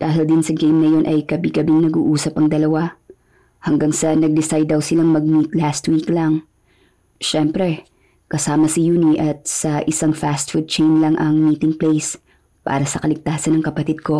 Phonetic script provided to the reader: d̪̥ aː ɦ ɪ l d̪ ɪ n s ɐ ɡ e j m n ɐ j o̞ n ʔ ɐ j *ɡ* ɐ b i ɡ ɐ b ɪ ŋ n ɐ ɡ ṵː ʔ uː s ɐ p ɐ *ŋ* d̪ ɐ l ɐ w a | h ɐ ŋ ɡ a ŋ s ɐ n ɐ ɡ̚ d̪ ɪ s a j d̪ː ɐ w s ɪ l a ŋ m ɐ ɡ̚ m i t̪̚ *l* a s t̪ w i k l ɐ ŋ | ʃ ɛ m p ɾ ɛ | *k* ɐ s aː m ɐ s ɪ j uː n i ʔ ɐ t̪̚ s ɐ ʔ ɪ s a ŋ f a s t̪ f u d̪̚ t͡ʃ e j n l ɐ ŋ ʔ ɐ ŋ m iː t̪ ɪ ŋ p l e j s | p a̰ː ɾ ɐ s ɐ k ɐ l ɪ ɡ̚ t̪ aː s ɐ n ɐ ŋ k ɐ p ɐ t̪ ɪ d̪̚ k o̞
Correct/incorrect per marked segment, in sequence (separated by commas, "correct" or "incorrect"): incorrect, correct, correct, correct